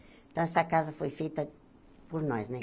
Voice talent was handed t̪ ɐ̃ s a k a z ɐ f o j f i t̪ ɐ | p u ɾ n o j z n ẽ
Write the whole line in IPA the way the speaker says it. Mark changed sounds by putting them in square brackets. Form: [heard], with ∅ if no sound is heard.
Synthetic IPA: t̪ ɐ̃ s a k a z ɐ f o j f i t̪ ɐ | p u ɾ n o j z n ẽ